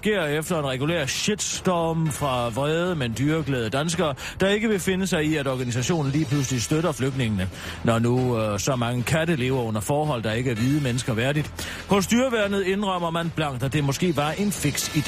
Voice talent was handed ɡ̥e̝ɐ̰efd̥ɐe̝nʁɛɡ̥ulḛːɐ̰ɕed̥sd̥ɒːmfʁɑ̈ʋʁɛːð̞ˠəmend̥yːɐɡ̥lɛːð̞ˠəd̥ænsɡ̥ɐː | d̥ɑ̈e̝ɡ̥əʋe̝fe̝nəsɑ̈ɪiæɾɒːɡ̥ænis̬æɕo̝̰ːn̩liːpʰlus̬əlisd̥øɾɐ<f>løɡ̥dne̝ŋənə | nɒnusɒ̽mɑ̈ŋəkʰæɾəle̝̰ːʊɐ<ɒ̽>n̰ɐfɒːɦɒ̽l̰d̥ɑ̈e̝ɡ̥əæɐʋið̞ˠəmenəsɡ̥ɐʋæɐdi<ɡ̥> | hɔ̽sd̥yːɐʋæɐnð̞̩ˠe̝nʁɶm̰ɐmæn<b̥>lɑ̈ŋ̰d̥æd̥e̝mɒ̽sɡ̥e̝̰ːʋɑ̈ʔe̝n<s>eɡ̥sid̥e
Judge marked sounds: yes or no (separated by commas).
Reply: yes, no, no, yes, no